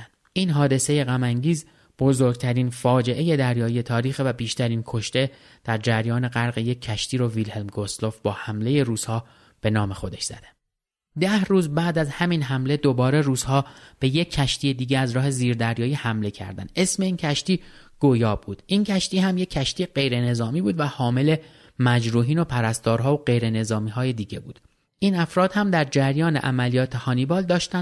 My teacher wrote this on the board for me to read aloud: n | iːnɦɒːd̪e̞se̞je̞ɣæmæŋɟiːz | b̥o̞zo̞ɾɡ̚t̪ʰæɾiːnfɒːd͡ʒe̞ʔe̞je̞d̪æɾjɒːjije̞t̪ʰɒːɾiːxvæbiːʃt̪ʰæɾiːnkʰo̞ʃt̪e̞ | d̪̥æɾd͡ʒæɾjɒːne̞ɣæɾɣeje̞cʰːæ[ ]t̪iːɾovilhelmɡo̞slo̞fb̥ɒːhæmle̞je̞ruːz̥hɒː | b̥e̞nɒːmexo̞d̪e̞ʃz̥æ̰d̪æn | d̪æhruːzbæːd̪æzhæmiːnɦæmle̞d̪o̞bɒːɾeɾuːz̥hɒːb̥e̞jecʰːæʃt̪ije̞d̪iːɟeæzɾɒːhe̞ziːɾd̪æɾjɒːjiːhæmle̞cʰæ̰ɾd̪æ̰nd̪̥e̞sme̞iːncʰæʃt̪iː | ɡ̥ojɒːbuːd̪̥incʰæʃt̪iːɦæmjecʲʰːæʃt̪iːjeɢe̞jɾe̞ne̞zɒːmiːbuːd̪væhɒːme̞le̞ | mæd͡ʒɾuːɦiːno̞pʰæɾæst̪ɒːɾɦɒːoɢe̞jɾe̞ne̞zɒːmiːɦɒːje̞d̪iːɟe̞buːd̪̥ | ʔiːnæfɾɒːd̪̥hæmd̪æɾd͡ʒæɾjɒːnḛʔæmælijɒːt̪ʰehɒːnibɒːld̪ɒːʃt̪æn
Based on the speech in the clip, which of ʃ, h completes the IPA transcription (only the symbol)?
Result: ʃ